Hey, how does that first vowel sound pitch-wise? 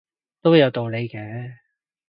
high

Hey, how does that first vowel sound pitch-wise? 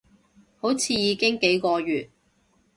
rising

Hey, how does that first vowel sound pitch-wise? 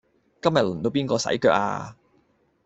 high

